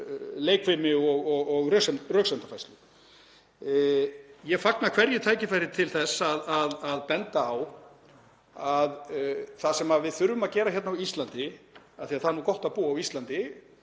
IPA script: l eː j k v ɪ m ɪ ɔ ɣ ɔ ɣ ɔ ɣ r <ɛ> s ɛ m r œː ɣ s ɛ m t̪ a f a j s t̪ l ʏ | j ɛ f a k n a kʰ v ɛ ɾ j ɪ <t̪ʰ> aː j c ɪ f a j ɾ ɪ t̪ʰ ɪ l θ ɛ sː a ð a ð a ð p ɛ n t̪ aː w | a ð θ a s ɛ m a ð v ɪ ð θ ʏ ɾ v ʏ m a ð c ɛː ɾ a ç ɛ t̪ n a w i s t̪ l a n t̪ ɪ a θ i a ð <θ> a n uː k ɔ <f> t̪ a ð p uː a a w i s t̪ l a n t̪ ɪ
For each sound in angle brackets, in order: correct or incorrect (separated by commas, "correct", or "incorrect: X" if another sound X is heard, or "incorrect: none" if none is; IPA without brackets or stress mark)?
incorrect: œ, correct, correct, incorrect: h